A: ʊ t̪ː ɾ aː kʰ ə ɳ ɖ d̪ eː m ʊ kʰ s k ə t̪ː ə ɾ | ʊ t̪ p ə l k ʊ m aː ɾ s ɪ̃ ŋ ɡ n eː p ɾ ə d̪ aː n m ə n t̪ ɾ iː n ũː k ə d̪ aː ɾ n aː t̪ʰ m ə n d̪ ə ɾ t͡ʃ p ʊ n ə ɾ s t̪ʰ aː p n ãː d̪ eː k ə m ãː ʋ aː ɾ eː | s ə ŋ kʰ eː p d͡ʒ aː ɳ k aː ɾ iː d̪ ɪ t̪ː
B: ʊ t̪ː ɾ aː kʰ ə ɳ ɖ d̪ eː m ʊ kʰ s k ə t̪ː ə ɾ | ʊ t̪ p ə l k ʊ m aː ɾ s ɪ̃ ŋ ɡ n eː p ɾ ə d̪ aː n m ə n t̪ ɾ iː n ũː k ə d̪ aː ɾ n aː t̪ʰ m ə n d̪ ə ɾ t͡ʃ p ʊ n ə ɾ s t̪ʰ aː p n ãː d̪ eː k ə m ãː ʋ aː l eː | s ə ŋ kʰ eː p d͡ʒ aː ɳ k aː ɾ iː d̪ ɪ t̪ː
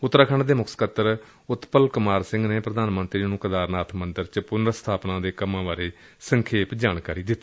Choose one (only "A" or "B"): A